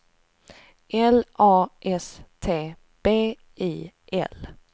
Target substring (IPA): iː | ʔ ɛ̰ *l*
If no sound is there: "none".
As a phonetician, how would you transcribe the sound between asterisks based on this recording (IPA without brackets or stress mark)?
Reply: l